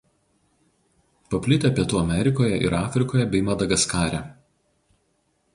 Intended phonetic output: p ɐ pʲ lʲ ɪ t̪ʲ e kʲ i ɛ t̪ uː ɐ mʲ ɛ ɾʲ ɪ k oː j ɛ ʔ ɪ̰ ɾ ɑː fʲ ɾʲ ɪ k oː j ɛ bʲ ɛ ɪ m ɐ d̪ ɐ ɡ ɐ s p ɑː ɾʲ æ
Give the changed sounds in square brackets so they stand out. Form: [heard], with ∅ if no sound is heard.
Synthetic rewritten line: p ɐ pʲ lʲ ɪ t̪ʲ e [pʲ] i ɛ t̪ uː ɐ mʲ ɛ ɾʲ ɪ k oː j ɛ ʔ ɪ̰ ɾ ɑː fʲ ɾʲ ɪ k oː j ɛ bʲ ɛ ɪ m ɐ d̪ ɐ ɡ ɐ s [k] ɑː ɾʲ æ